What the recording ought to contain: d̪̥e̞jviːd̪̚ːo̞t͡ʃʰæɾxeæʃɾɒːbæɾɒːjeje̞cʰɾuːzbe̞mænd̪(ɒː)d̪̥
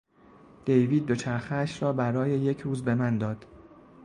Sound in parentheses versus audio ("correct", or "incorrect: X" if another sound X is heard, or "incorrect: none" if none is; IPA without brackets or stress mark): correct